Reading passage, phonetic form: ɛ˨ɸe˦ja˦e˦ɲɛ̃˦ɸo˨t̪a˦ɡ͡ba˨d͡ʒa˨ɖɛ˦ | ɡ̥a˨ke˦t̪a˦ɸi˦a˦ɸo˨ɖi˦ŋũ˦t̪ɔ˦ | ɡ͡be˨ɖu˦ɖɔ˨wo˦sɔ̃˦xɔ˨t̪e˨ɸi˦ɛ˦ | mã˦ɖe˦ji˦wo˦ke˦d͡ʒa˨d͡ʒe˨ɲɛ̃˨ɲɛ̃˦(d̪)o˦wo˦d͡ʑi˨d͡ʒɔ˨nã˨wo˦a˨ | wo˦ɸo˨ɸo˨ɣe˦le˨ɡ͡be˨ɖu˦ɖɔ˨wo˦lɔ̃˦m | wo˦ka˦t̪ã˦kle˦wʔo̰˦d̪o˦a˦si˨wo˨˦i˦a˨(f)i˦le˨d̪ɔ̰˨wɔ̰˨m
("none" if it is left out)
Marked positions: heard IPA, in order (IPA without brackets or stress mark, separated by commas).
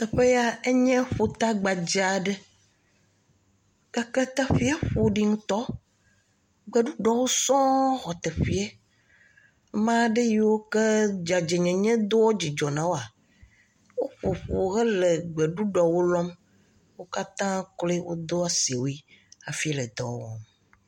d̪, f